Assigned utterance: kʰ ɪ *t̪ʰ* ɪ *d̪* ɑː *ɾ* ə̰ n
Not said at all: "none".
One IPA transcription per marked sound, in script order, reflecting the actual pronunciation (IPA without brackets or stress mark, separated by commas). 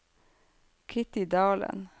t̪, d̪, l